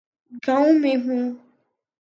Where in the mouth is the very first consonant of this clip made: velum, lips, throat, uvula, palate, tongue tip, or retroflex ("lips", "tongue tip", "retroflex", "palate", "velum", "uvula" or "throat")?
velum